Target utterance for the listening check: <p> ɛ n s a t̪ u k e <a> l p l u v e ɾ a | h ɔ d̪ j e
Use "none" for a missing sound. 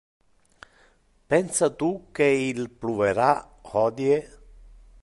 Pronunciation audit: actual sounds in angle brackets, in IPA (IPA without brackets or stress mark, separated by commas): p, i